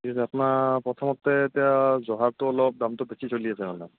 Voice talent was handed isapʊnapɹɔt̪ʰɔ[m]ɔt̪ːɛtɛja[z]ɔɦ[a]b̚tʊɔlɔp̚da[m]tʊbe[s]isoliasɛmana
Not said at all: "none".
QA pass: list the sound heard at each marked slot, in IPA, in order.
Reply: m, z, a, m, s

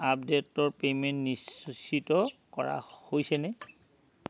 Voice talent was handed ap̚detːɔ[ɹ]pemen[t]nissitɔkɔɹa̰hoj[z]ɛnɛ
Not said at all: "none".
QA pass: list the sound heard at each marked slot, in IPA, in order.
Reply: ɹ, t, s

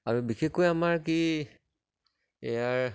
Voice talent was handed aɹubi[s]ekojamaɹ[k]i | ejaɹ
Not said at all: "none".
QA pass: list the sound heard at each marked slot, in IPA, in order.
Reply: x, k

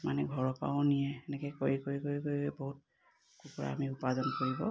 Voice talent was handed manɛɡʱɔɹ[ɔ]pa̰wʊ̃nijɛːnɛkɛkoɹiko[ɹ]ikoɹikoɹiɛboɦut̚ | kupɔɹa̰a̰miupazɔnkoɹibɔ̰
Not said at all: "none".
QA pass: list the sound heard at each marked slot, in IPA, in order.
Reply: ɔ, ɹ

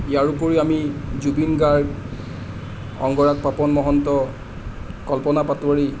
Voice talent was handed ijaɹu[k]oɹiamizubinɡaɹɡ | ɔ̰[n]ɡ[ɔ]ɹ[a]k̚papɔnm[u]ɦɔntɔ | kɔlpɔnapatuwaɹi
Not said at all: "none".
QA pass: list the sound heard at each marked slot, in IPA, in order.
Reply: p, ŋ, ɔ, a, ɔ

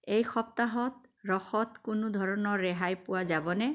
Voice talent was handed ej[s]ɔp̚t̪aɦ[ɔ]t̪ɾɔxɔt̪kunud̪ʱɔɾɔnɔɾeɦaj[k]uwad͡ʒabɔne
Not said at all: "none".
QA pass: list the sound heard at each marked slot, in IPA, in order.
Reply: x, ɔ, p

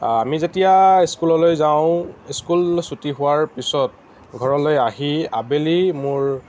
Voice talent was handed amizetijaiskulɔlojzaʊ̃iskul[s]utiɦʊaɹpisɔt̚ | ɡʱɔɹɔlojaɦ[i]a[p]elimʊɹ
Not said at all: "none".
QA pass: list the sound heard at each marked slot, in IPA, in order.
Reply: s, i, b

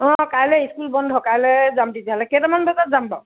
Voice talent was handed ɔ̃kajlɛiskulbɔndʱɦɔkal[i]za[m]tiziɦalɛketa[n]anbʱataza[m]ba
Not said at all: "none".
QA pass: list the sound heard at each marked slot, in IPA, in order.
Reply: ɛ, m, m, m

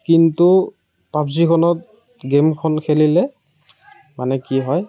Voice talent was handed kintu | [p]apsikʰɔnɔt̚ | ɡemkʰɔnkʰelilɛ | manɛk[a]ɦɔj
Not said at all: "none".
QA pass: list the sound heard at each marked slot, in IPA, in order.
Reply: p, i

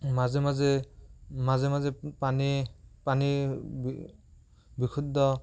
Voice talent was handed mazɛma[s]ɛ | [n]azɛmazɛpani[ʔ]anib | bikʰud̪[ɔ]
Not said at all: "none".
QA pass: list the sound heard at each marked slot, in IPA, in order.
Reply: z, m, p, ɔ

